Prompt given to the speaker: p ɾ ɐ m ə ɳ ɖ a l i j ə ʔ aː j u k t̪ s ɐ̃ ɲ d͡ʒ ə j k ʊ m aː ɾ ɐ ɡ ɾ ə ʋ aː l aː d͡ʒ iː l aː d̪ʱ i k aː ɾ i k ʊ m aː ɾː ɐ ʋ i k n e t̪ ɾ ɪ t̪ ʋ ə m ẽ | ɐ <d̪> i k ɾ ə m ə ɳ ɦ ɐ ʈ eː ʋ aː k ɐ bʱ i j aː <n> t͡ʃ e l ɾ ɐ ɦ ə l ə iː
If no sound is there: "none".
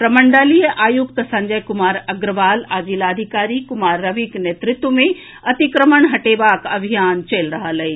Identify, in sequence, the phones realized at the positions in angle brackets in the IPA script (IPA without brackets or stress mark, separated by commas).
t̪, n